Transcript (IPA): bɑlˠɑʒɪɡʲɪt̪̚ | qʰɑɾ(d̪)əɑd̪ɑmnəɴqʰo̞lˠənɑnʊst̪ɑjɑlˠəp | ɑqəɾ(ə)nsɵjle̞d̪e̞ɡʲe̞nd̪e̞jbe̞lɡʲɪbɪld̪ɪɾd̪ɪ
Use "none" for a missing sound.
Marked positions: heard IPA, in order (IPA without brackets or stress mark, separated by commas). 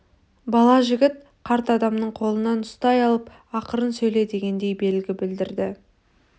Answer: t̪, ə